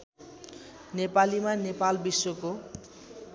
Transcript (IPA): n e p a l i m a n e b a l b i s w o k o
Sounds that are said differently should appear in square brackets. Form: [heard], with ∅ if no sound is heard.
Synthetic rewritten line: n e p a l i m a n e [p] a l b i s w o k o

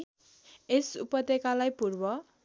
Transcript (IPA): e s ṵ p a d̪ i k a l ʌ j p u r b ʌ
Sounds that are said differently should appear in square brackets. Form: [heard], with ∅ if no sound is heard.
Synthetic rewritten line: e s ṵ p [ʌ] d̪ [e] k a l [a] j p u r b ʌ

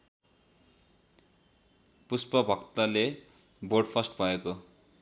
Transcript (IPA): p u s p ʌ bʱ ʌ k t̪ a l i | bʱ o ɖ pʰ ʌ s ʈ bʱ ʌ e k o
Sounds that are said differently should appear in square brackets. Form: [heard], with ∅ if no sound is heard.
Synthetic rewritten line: p u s p ʌ bʱ ʌ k t̪ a l [e] | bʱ o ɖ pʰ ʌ s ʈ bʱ ʌ e k o

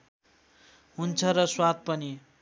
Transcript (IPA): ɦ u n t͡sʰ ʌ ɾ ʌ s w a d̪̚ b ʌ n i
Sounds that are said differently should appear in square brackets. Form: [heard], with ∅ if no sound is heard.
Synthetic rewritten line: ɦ u n t͡sʰ ʌ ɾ ʌ s w a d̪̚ [p] ʌ n i

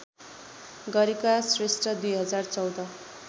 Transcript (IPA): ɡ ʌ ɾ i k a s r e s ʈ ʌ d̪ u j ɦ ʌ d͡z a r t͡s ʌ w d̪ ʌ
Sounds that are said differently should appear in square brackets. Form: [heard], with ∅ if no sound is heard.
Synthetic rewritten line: ɡ ʌ ɾ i k a s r e s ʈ ʌ d̪ u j ɦ ʌ d͡z a r t͡s ʌ w d̪ ʌ

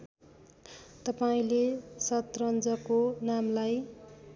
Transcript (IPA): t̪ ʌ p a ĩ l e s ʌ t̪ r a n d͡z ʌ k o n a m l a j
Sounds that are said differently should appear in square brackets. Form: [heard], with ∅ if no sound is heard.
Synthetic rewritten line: t̪ ʌ p a ĩ l e s ʌ t̪ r [ʌ] n d͡z ʌ k o n a m l a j

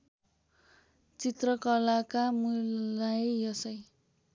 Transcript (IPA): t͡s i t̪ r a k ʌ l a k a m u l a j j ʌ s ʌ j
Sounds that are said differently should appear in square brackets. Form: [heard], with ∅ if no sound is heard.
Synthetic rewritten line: t͡s i t̪ r [ʌ] k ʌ l a k a m u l a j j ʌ s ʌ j

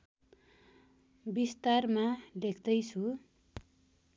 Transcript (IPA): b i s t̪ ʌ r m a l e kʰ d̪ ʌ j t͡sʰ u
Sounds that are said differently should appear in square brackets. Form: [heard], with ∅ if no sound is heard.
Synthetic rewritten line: b i s t̪ [a] r m a l e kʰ d̪ ʌ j t͡sʰ u

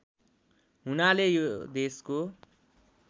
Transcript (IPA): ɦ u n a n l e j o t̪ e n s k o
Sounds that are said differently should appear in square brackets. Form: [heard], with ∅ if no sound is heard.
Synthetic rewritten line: ɦ u n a [∅] l e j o [d̪] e [∅] s k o

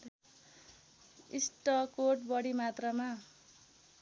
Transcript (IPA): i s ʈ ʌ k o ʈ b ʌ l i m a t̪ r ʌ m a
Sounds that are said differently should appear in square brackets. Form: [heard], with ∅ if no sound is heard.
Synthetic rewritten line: i s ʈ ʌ k o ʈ b ʌ [ɽ] i m a t̪ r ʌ m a

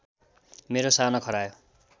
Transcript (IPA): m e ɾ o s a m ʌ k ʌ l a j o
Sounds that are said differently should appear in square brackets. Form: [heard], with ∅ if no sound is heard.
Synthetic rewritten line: m e ɾ o s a [n] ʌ [kʰ] ʌ [ɾ] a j o

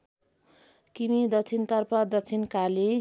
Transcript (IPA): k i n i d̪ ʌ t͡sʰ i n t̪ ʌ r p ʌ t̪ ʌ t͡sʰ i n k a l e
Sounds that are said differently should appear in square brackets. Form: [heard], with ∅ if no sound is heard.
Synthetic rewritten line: k i [m] i d̪ ʌ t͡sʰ i n t̪ ʌ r p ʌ [d̪] ʌ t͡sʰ i n k a l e

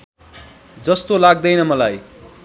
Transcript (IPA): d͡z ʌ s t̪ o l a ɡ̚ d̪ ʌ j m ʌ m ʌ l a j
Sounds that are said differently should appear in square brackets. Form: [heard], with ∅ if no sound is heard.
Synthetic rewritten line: d͡z ʌ s t̪ o l a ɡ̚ d̪ ʌ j [n] ʌ m ʌ l a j

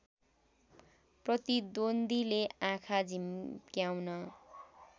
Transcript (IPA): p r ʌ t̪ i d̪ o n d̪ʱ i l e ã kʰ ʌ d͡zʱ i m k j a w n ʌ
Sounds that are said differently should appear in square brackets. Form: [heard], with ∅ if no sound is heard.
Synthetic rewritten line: p r ʌ t̪ i d̪ o n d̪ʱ i l e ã kʰ [a] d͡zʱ i m k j a w n ʌ

